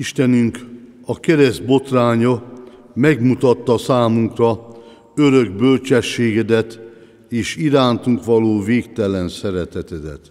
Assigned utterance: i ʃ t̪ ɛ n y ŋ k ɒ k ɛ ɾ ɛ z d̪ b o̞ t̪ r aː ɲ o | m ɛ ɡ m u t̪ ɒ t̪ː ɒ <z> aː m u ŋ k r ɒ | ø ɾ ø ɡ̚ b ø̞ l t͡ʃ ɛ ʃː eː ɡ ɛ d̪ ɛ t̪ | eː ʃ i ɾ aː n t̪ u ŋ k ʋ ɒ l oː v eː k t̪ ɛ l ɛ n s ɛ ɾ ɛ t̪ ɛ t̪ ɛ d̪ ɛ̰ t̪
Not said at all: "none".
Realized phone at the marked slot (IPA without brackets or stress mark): s